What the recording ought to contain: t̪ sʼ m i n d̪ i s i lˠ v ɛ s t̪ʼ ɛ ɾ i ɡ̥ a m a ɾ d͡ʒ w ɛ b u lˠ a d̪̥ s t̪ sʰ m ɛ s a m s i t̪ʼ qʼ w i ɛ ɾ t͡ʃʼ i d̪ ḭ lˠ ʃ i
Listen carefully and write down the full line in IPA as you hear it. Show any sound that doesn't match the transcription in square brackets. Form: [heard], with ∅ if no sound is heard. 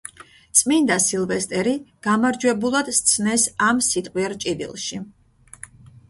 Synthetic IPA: t̪ sʼ m i n d̪ [a] s i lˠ v ɛ s t̪ʼ ɛ ɾ i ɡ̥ a m a ɾ d͡ʒ w ɛ b u lˠ a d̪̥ s t̪ sʰ [n] ɛ s a m s i t̪ʼ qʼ w i ɛ ɾ t͡ʃʼ i d̪ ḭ lˠ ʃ i